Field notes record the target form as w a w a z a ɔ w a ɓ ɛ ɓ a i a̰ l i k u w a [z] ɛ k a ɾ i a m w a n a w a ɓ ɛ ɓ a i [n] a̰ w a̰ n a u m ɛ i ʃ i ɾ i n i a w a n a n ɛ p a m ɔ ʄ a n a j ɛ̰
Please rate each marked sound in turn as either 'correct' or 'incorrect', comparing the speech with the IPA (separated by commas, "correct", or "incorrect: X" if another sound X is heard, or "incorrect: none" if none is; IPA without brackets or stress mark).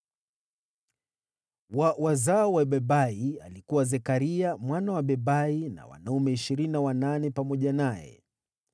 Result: correct, correct